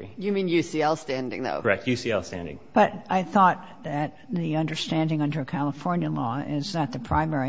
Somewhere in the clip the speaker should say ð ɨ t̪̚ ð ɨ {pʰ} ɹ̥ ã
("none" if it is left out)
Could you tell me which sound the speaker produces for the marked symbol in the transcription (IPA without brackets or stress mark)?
pʰ